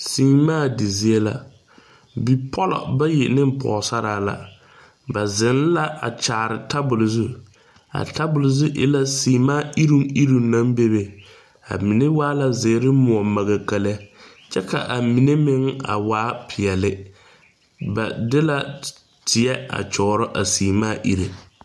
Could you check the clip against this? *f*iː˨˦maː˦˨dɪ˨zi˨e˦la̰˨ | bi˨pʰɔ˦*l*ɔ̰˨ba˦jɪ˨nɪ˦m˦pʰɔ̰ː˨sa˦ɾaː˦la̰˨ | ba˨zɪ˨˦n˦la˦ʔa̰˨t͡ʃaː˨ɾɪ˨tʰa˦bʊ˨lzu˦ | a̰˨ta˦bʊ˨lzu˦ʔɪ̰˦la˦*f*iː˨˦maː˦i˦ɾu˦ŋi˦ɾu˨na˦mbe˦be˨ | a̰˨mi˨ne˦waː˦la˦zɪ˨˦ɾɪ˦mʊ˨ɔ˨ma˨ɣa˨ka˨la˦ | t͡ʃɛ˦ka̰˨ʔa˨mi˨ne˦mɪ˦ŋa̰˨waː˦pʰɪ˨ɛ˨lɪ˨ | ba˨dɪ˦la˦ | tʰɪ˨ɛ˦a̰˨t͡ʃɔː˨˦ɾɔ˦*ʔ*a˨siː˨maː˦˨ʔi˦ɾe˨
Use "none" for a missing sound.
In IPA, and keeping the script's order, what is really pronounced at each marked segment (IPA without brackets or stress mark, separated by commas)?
s, l, s, ʔ